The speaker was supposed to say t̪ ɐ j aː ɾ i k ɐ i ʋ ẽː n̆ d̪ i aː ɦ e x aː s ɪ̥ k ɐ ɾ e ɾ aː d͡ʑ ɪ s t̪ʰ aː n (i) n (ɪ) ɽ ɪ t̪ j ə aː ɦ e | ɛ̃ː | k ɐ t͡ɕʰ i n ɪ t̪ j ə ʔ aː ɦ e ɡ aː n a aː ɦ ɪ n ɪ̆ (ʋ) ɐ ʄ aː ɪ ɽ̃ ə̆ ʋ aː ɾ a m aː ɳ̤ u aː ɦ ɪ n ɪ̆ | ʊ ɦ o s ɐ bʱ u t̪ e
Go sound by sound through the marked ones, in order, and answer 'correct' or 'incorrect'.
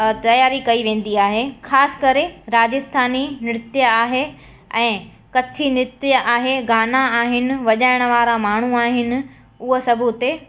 correct, correct, correct

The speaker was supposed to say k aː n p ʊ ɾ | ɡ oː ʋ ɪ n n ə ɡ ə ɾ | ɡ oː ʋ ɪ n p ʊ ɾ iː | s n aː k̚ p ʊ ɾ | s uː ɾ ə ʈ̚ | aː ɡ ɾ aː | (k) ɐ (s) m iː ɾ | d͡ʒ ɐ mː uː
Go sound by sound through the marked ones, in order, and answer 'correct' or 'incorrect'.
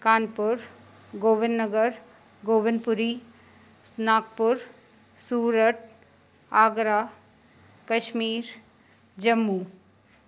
correct, incorrect: ʃ

